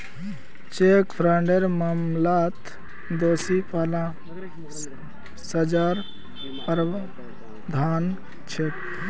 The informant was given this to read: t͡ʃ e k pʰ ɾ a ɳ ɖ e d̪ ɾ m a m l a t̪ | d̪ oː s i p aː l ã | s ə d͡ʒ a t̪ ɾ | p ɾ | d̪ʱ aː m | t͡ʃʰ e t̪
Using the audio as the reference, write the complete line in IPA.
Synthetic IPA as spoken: t͡ʃ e k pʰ ɾ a ɳ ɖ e ɾ m a m l a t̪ | d̪ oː s i p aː l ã | s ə d͡ʒ a ɾ | p ɾ | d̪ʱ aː n | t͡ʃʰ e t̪